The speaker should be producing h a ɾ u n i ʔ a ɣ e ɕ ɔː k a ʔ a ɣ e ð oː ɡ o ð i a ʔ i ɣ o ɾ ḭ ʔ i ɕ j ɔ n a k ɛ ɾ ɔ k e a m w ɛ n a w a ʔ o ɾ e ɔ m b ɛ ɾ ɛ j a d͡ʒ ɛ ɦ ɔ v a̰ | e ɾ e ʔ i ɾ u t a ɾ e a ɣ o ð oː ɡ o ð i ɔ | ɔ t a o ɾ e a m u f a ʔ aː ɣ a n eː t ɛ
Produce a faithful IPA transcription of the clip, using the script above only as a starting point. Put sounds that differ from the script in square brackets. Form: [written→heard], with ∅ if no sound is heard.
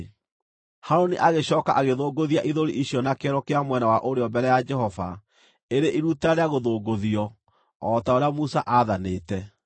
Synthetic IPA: h a ɾ [u→o] n i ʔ a ɣ e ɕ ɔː k a ʔ a ɣ e ð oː ɡ o ð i a ʔ i [ɣ→ð] o ɾ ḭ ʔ i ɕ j ɔ n a k ɛ ɾ ɔ k e a m w ɛ n a w a ʔ o ɾ e ɔ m b ɛ ɾ ɛ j a d͡ʒ ɛ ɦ ɔ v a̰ | e ɾ e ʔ i ɾ u t a ɾ e a ɣ o ð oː ɡ o ð i ɔ | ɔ t a o ɾ e a m u [f→s] a ʔ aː [ɣ→ð] a n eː t ɛ

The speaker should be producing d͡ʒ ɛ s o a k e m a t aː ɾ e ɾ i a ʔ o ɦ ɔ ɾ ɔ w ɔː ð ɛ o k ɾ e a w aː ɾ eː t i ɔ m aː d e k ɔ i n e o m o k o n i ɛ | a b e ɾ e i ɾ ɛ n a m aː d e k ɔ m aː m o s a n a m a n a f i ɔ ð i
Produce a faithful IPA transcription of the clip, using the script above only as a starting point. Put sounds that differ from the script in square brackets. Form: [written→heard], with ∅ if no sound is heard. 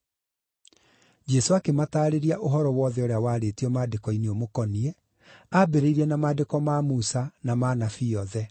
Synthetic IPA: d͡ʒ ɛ s o a k e m a t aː ɾ e ɾ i a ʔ o ɦ ɔ ɾ ɔ w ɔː ð ɛ o [k→∅] ɾ e a w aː ɾ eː t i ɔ m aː d e k ɔ i n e o m o k [o→ɔ] n i ɛ | a b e ɾ e i ɾ ɛ n a m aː d e k ɔ m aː m [o→u] s a n a m a n a f i ɔ ð [i→ɛ]

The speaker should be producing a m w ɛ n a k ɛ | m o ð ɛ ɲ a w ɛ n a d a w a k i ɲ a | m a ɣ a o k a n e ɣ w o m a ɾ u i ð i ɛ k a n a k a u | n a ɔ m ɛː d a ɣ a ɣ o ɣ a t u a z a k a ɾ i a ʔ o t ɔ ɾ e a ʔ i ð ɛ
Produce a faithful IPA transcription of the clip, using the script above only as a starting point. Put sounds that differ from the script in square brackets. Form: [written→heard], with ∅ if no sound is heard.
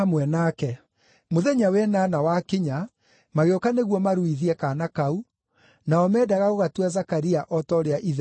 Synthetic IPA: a m w ɛ n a k ɛ | m o ð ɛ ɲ a w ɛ n a [d→n] a w a k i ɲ a | m a ɣ [a→e] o k a n e ɣ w [o→ɔ] m a ɾ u i ð i ɛ k a n a k a u | n a ɔ m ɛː d a ɣ a ɣ o ɣ a t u a z a k a ɾ i a ʔ [o→ɔ] t ɔ ɾ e a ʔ i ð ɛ

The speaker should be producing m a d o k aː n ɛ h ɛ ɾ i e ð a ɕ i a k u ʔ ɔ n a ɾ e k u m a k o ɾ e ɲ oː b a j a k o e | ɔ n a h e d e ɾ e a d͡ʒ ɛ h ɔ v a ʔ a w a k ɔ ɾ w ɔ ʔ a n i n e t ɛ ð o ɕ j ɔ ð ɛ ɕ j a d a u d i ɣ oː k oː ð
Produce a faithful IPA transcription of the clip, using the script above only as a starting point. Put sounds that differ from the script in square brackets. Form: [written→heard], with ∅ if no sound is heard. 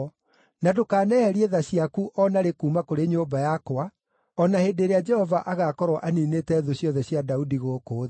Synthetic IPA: [m→n] a d o k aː n ɛ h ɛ ɾ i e ð a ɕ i a k u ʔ ɔ n a ɾ e k u m a k o ɾ e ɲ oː b a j a k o [e→a] | ɔ n a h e d e ɾ e a d͡ʒ ɛ h ɔ v a ʔ a [w→ɣ] a k ɔ ɾ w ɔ ʔ a n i n e t ɛ ð o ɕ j ɔ ð ɛ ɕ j a d a u d i ɣ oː k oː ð

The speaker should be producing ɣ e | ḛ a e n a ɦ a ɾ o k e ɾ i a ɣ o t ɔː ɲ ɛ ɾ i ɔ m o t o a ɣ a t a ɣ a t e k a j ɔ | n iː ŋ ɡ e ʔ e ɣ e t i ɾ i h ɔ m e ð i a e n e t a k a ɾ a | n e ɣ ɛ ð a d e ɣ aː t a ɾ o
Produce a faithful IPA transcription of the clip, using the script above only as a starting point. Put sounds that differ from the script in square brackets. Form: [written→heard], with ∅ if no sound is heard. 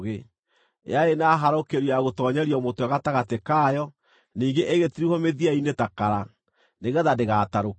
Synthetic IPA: ɣ e | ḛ a e n a ɦ a ɾ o k e ɾ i a ɣ o t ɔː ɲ ɛ ɾ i ɔ m o t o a ɣ a t a ɣ a t e k a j ɔ | n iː ŋ ɡ e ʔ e ɣ e t i ɾ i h ɔ m e ð i a [e→i] n e t a k a ɾ a | n e ɣ ɛ ð a d e ɣ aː t a ɾ o

